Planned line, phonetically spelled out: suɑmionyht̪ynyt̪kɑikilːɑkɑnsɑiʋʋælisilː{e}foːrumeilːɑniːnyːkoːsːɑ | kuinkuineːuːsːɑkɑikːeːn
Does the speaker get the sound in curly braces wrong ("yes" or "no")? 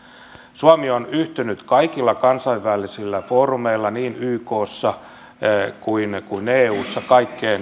yes